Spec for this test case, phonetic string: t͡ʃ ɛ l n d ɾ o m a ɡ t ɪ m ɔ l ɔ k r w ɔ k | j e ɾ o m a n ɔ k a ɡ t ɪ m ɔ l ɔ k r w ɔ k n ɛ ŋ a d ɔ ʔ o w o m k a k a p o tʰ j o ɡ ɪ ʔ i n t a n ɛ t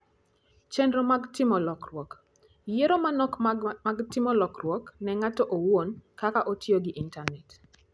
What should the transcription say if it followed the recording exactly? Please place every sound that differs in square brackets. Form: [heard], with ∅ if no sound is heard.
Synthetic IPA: t͡ʃ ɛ [∅] n d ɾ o m a ɡ t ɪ m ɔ l ɔ k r w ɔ k | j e ɾ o m a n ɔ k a ɡ t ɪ m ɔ l ɔ k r w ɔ k n ɛ ŋ a [t] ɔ ʔ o w o [n] k a k a [ʔ] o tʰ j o ɡ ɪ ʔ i n t a n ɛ t